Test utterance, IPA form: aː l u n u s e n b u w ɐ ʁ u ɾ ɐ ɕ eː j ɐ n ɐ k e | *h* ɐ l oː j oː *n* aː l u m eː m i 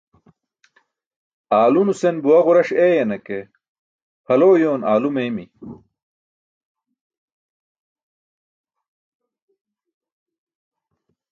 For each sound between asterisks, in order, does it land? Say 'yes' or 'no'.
yes, yes

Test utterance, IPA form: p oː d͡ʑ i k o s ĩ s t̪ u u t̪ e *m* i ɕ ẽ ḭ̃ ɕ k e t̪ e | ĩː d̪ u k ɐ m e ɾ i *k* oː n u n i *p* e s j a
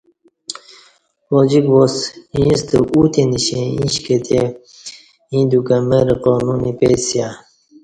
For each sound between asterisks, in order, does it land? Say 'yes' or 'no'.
no, no, yes

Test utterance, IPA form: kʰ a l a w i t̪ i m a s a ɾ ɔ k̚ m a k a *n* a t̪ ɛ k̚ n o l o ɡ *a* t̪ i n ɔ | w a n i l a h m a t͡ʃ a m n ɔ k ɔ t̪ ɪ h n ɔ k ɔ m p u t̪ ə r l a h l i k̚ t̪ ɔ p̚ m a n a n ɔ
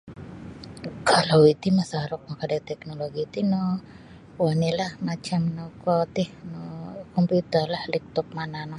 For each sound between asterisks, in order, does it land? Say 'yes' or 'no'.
no, no

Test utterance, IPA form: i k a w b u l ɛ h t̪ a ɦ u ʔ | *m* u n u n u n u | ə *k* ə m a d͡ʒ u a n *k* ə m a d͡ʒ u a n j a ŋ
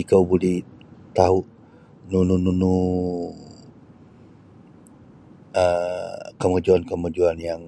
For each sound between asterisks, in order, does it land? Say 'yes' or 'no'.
no, yes, yes

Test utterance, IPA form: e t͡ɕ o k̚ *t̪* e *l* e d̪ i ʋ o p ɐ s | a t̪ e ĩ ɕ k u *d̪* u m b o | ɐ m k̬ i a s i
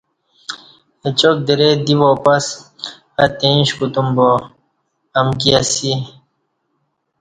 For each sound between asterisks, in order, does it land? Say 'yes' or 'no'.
no, no, no

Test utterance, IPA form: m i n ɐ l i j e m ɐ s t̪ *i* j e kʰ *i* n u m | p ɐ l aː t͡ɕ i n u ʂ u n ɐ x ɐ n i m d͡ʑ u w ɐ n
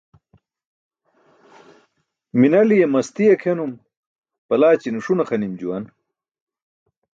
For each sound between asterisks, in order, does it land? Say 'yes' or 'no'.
yes, no

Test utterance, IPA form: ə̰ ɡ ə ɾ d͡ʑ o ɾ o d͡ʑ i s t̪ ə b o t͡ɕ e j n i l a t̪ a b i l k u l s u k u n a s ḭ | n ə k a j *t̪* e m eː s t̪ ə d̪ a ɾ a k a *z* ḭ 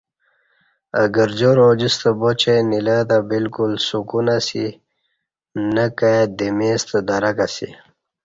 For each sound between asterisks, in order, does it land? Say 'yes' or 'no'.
no, no

